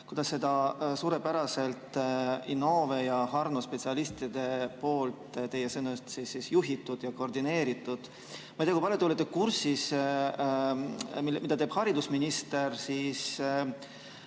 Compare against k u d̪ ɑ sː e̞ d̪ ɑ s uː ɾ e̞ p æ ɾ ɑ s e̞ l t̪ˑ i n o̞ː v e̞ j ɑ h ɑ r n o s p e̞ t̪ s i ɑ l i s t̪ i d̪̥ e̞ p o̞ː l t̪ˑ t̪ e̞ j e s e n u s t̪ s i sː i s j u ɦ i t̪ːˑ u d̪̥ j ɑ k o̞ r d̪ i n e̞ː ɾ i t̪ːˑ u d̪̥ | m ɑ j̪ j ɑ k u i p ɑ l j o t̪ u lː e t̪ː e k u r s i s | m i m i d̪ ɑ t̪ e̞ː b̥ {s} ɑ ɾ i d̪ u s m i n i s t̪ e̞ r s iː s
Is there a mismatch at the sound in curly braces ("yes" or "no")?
yes